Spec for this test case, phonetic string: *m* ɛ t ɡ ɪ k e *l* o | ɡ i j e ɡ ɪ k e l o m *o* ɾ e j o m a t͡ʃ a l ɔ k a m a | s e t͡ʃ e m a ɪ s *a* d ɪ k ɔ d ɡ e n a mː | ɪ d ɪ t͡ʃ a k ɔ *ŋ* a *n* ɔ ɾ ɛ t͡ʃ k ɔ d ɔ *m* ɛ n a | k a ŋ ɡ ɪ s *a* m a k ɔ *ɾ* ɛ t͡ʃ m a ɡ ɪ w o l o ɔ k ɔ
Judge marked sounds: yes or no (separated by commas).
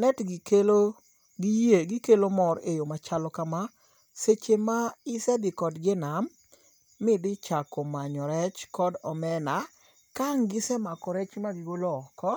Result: no, yes, no, no, no, no, yes, no, yes